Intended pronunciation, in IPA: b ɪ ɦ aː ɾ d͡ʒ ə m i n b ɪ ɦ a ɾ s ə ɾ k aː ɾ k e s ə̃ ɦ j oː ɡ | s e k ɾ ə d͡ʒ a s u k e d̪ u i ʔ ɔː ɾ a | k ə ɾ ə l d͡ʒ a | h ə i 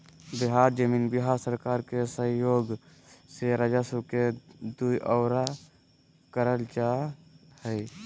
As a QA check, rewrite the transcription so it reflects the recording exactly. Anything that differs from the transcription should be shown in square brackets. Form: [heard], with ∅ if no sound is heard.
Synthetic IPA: b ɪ ɦ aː ɾ d͡ʒ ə m i n b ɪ ɦ a ɾ s ə ɾ k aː ɾ k e s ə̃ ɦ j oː ɡ | s e [∅] ɾ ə d͡ʒ a s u k e d̪ u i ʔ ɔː ɾ a | k ə ɾ ə l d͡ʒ a | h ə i

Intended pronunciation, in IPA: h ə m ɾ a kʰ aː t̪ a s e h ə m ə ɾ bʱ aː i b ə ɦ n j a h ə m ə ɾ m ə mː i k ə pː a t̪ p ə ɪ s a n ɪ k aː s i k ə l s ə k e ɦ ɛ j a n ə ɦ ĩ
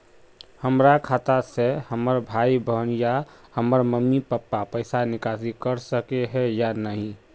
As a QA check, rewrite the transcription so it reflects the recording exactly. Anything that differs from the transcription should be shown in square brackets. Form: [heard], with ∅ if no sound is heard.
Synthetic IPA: h ə m ɾ a kʰ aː t̪ a s e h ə m ə ɾ bʱ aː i b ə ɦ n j a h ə m ə ɾ m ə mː i [p] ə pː a [∅] p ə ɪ s a n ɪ k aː s i k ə [ɾ] s ə k e ɦ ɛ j a n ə ɦ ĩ

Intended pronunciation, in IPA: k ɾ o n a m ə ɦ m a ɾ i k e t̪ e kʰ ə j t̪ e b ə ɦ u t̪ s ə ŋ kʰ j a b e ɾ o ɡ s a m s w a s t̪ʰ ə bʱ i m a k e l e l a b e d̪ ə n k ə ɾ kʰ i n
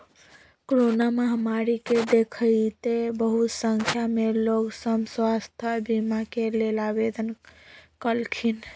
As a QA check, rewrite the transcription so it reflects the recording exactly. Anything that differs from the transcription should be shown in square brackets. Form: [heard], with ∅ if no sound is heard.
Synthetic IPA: k ɾ o n a m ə ɦ m a ɾ i k e [d̪] e kʰ ə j t̪ e b ə ɦ u t̪ s ə ŋ kʰ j a [m] e [l] o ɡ s [ə] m s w a s t̪ʰ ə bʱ i m a k e l e l a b e d̪ ə n k ə [l] kʰ i n

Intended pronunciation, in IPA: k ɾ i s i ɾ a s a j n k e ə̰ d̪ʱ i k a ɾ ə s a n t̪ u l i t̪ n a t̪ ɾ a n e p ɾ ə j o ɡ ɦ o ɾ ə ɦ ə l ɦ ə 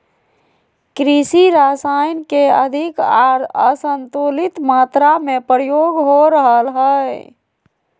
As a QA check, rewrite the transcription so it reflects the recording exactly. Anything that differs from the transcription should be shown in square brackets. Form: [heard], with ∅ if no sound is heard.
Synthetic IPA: k ɾ i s i ɾ a s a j n k e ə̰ d̪ʱ i k a ɾ ə s [ə] n t̪ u l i t̪ [m] a t̪ ɾ a [m] e p ɾ ə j o ɡ ɦ o ɾ ə ɦ ə l ɦ ə

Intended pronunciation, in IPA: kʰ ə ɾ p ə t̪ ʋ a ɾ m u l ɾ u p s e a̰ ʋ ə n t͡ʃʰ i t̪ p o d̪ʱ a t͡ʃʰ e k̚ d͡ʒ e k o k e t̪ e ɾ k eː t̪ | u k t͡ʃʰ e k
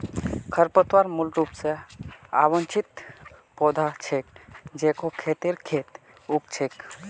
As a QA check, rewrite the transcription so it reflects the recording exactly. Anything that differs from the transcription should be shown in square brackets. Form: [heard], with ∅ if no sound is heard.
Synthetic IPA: kʰ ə ɾ p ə t̪ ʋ a ɾ m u l ɾ u p s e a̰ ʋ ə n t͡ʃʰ i t̪ p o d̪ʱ a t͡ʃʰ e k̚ d͡ʒ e k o [kʰ] e t̪ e ɾ [kʰ] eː t̪ | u k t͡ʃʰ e k

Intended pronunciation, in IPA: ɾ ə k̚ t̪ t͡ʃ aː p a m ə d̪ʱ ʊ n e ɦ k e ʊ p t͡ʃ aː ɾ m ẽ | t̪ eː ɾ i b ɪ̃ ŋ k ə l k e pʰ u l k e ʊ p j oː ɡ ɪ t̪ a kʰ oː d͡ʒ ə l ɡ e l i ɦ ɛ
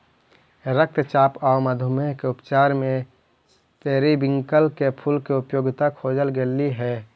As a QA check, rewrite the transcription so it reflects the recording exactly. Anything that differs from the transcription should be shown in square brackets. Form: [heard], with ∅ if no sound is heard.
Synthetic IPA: ɾ ə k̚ t̪ t͡ʃ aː p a m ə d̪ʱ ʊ [m] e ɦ k e ʊ p t͡ʃ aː ɾ m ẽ | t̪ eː ɾ i b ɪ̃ ŋ k ə l k e pʰ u l k e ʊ p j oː ɡ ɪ t̪ a kʰ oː d͡ʒ ə l ɡ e l i ɦ ɛ

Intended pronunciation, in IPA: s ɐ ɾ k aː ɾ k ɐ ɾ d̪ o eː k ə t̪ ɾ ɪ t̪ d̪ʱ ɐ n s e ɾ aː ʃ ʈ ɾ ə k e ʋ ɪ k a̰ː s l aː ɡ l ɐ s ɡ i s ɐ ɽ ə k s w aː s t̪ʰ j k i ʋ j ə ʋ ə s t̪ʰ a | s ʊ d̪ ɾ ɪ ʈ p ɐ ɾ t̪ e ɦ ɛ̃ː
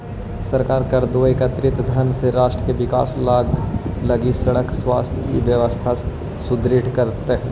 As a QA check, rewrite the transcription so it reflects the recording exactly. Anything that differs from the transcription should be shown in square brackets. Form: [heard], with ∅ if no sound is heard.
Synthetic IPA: s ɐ ɾ k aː ɾ k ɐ ɾ d̪ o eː k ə t̪ ɾ ɪ t̪ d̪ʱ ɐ n s e ɾ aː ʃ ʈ ɾ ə k e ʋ ɪ k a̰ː s l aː ɡ l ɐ [∅] ɡ i s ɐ ɽ ə k s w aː s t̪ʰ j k i ʋ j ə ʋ ə s t̪ʰ a | s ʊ d̪ ɾ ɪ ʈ [k] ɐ ɾ t̪ e ɦ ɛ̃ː

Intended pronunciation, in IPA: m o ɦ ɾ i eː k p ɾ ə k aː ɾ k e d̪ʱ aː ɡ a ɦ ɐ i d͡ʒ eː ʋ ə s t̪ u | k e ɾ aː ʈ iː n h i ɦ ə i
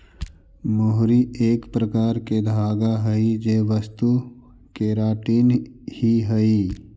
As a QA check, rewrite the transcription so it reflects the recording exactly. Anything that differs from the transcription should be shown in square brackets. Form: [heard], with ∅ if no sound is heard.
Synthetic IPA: m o ɦ ɾ i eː k p ɾ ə k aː ɾ k e d̪ʱ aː ɡ a ɦ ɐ i d͡ʒ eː ʋ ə s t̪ u | k e ɾ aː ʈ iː n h i ɦ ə i

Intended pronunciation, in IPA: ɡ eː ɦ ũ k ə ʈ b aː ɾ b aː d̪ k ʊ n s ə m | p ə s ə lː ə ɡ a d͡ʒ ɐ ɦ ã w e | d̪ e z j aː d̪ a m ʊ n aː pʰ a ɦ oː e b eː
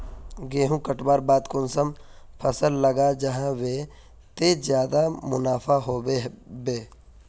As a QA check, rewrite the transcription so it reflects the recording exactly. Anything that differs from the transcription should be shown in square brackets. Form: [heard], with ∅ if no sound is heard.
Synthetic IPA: ɡ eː ɦ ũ k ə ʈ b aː ɾ b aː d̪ k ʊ n s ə m | [pʰ] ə s ə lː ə ɡ a d͡ʒ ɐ ɦ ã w e | [t̪] e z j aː d̪ a m ʊ n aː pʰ a ɦ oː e b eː

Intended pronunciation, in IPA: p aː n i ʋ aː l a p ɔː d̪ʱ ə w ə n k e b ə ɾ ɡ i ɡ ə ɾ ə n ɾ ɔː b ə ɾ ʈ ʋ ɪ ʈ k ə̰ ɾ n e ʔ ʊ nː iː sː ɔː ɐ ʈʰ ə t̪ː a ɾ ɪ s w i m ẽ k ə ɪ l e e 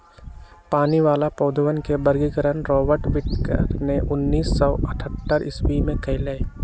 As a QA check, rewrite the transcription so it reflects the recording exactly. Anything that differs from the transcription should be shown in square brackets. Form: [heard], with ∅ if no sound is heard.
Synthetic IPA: p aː n i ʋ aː l a p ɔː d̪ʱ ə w ə n k e b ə ɾ ɡ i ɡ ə ɾ ə n ɾ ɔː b ə ɾ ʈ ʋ ɪ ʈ k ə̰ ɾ n e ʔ ʊ nː iː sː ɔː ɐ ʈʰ ə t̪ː [ə] ɾ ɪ s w i m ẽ k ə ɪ l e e

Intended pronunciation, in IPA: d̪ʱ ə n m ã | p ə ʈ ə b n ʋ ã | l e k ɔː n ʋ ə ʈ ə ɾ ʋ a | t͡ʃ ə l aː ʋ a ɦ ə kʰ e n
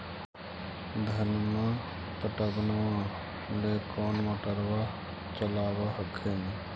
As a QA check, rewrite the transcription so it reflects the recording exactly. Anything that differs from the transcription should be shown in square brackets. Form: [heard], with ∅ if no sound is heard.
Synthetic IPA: d̪ʱ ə n m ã | p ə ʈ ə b n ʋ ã | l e k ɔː n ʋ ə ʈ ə ɾ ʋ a | t͡ʃ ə l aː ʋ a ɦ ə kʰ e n

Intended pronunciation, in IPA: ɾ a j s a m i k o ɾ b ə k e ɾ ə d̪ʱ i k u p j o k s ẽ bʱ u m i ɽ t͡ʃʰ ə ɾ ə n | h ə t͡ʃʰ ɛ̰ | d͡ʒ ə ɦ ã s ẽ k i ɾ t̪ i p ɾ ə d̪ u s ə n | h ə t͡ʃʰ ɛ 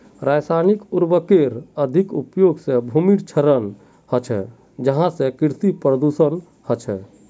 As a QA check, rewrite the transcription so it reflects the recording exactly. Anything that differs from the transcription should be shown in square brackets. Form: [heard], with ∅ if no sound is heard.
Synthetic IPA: ɾ a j s a [n] i k [u] ɾ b ə k e ɾ ə d̪ʱ i k u p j o [ɡ] s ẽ bʱ u m i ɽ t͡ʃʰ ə ɾ ə n | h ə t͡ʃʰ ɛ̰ | d͡ʒ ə ɦ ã s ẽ k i ɾ t̪ i p ɾ ə d̪ u s ə n | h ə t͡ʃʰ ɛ

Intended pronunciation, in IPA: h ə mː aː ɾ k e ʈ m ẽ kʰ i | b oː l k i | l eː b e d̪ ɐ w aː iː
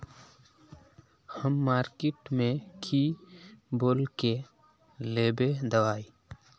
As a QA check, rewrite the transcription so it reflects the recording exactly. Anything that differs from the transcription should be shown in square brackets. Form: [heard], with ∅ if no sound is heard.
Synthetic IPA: h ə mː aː ɾ k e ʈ m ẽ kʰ i | b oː l k [e] | l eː b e d̪ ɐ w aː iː

